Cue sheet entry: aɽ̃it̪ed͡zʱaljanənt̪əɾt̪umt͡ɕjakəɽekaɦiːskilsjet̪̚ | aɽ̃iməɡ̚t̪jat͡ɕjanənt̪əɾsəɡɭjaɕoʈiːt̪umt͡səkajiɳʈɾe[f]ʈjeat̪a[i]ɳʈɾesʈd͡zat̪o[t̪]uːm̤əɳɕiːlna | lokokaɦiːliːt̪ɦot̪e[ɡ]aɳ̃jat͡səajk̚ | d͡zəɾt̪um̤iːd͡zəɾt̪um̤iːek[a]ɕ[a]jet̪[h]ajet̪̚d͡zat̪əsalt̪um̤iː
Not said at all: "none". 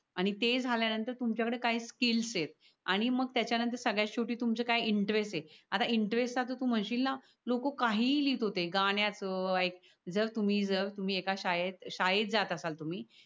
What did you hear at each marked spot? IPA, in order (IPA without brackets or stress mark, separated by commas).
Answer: s, i, t̪, ɡ, a, a, ɕ